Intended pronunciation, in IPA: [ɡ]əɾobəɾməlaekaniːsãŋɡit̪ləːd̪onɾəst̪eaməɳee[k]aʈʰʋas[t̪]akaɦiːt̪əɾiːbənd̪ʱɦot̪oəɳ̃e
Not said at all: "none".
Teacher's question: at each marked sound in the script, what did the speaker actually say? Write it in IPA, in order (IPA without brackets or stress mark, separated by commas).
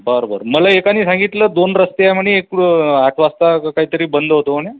b, k, t̪